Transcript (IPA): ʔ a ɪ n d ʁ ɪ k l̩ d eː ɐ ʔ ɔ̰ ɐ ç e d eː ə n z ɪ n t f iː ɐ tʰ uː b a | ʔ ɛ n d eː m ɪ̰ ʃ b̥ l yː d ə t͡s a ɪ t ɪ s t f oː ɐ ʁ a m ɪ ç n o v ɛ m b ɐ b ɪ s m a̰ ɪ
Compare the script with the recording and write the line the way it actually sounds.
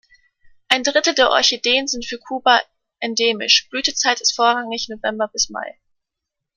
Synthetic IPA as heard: ʔ a ɪ n d ʁ ɪ t l̩ d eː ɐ ʔ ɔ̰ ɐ ç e d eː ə n z ɪ n t f yː ɐ kʰ uː b a | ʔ ɛ n d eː m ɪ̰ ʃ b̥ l yː t ə t͡s a ɪ t ɪ s t f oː ɐ ʁ a ŋ ɪ ç n o v ɛ m b ɐ b ɪ s m a̰ ɪ